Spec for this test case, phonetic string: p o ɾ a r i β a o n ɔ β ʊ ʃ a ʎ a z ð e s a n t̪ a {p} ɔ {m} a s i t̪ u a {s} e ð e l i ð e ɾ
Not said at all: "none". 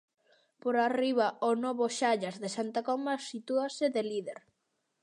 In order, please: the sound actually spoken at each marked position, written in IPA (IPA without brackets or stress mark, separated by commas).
k, m, s